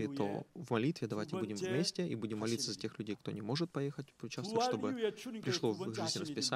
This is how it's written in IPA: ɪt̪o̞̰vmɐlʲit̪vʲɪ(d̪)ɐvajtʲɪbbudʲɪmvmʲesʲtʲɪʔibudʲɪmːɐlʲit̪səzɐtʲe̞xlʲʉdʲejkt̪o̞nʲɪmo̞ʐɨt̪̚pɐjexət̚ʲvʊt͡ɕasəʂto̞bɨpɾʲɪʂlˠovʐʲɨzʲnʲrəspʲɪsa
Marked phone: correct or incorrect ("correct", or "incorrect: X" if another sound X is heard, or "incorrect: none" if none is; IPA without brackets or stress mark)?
correct